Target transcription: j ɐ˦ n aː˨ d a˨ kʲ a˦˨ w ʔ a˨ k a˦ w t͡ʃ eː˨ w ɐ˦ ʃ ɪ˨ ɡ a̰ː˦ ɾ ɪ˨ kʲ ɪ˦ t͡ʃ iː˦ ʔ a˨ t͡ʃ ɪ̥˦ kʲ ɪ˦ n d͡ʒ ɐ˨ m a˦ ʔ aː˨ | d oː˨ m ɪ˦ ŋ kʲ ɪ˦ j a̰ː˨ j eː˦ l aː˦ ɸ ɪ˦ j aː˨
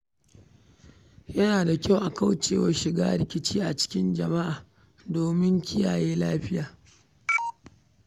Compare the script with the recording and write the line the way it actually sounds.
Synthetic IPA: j ɐ˦ n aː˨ d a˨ kʲ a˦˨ w ʔ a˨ k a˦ w t͡ʃ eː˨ w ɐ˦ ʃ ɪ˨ ɡ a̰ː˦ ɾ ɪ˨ kʲ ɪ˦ t͡ʃ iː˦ ʔ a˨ t͡ʃ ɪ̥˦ kʲ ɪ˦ n d͡ʒ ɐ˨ m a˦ ʔ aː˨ | d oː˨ m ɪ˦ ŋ kʲ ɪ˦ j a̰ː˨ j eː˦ l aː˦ ɸ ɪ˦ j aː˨